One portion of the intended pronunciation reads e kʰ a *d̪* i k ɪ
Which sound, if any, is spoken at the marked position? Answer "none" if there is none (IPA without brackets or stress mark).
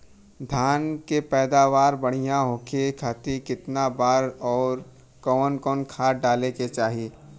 t̪